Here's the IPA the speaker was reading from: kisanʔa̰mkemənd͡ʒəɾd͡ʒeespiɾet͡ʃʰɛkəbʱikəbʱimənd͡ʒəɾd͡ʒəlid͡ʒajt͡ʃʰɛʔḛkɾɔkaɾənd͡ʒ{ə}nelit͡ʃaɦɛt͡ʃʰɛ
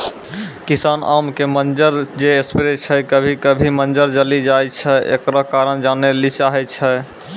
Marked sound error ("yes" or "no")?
yes